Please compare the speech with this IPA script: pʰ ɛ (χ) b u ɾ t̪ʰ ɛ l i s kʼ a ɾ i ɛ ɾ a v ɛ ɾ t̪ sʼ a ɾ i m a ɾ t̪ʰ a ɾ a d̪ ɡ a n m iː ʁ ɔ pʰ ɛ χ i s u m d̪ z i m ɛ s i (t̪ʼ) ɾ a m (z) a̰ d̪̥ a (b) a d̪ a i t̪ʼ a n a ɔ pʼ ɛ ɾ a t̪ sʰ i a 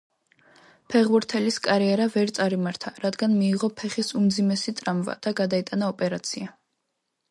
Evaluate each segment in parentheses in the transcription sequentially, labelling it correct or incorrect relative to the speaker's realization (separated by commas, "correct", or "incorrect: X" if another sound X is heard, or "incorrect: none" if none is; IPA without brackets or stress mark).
incorrect: ʁ, correct, incorrect: v, incorrect: ɡ